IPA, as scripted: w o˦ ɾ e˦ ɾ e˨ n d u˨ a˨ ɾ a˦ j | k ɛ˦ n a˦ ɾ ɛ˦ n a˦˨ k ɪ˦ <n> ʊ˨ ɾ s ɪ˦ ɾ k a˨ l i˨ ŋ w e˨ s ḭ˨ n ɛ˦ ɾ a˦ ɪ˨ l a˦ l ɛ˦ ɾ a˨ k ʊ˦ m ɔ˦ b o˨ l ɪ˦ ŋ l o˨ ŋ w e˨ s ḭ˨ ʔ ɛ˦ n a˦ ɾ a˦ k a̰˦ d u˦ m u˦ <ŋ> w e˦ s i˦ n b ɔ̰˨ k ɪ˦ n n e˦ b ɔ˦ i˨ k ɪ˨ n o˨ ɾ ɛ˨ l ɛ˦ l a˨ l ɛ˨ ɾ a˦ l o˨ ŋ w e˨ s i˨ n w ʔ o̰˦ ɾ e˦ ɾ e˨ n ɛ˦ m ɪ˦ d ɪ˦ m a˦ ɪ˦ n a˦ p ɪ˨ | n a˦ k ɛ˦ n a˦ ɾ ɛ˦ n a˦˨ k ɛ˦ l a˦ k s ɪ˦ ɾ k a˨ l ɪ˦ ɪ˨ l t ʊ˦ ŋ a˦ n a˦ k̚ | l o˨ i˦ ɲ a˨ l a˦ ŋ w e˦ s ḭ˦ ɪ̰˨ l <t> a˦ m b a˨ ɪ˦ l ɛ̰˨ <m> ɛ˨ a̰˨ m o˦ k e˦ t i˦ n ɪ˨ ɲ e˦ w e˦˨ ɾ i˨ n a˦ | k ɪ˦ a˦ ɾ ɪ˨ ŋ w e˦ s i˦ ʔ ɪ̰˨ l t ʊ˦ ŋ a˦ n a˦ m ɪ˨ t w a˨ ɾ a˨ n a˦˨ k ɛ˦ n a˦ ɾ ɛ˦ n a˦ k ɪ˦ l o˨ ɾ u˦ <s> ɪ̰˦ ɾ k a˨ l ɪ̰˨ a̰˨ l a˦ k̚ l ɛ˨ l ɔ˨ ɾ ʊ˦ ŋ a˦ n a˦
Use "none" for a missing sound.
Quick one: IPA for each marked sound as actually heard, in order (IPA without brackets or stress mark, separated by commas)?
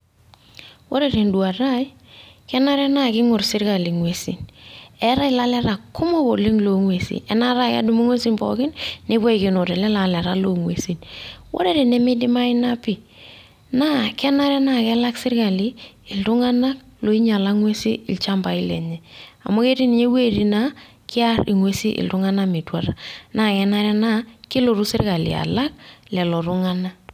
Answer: ŋ, ŋ, t͡ʃ, ɲ, s